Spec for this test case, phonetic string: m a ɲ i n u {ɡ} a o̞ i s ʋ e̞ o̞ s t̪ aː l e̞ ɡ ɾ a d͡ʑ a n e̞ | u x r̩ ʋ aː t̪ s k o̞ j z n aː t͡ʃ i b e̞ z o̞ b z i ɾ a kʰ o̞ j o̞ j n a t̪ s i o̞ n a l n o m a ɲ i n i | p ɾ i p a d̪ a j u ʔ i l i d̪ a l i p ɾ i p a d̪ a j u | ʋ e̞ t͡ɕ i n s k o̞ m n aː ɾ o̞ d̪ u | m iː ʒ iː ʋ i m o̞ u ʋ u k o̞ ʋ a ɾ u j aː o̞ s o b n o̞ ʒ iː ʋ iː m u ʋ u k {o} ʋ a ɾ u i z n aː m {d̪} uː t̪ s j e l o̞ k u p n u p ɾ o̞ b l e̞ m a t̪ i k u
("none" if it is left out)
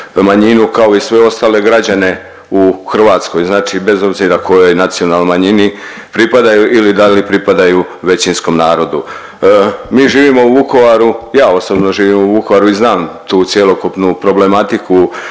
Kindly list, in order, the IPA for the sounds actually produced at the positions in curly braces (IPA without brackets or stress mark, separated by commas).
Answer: k, o, t̪